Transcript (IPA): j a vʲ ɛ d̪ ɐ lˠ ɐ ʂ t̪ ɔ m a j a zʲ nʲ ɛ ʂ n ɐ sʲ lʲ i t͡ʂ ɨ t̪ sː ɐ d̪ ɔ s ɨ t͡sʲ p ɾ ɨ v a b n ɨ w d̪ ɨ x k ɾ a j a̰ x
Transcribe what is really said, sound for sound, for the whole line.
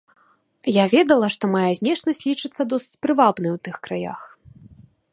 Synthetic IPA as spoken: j a vʲ ɛ d̪ ɐ lˠ ɐ ʂ t̪ ɔ m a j a zʲ nʲ ɛ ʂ n ɐ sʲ lʲ i t͡ʂ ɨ t̪ sː ɐ d̪ ɔ s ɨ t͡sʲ p ɾ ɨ v a b n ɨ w t̪ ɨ x k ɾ a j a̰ x